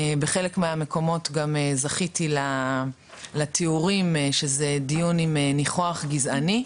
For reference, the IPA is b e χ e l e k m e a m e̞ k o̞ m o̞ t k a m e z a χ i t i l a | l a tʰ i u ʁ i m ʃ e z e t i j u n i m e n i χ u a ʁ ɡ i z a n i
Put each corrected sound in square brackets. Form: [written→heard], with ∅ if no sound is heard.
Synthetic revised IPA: b e χ e l e k m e a m e̞ k o̞ m o̞ t [k→ɡ] a m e z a χ i t i l a | l a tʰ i u ʁ i m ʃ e z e [t→d] i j u n i m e n i χ [u→o] a [ʁ→χ] ɡ i z a n i